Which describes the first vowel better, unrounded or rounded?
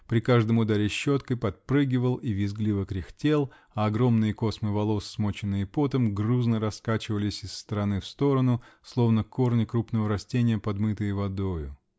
unrounded